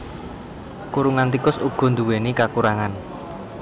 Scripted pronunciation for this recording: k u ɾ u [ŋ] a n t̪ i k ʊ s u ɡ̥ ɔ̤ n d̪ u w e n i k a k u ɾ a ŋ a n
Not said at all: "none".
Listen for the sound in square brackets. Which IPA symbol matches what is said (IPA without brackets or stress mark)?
ŋ